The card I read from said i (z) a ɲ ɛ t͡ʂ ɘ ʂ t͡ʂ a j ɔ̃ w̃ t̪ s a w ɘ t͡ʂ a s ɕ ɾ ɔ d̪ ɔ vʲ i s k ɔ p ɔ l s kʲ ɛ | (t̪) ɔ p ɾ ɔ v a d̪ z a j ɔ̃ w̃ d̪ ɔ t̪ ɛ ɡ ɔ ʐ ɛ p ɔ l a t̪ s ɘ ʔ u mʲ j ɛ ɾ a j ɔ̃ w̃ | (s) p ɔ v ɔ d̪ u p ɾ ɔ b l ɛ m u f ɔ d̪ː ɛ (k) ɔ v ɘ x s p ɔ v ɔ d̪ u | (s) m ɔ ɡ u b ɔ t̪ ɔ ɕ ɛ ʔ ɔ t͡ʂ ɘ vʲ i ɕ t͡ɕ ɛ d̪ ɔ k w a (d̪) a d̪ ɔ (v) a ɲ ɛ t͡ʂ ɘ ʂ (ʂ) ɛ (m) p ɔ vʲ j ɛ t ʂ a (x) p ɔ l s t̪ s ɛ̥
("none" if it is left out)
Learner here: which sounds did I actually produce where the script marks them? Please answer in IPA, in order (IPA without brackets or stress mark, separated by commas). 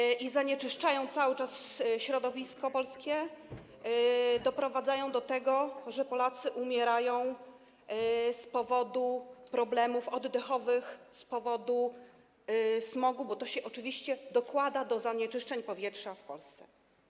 z, d̪, s, x, s, d̪, z, t͡ʂ, ɲ, f